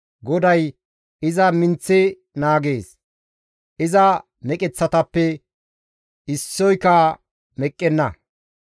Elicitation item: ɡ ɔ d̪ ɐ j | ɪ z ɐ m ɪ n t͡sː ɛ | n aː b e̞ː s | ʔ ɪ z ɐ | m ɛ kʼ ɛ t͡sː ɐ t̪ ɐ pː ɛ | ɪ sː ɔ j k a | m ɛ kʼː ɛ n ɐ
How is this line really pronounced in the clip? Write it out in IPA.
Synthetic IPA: ɡ ɔ d̪ ɐ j | ɪ z ɐ m ɪ n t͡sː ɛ | n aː ɡ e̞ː s | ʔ ɪ z ɐ | m ɛ kʼ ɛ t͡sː ɐ t̪ ɐ pː ɛ | ɪ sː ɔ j k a | m ɛ kʼː ɛ nː ɐ